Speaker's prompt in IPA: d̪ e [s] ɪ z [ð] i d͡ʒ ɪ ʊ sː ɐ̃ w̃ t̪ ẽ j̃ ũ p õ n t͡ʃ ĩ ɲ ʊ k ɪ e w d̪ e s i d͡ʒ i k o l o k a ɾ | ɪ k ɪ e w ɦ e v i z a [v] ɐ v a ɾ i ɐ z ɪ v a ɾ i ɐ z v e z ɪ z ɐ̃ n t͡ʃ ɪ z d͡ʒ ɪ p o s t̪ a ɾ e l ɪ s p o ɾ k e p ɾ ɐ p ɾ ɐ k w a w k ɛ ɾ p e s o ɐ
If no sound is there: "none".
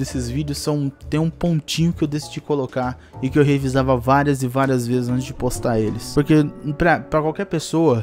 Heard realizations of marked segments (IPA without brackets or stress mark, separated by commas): s, v, v